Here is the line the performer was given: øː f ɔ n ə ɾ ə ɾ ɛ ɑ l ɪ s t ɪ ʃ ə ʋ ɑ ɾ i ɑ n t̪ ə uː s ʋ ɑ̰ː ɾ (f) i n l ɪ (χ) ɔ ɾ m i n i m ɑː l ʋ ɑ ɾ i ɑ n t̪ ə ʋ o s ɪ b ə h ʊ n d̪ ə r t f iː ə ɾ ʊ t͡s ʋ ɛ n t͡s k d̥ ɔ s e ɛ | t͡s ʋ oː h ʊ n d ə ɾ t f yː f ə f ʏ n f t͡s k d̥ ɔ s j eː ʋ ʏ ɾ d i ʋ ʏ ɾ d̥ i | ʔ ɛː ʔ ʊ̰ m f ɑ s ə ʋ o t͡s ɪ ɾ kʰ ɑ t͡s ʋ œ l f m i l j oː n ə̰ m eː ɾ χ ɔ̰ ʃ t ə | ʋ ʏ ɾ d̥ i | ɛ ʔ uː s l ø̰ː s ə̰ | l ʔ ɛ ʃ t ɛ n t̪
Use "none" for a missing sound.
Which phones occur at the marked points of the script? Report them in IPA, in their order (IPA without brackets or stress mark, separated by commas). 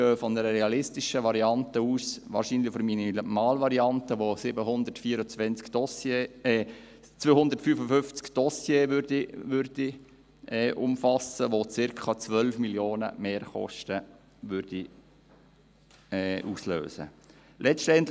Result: ʃ, f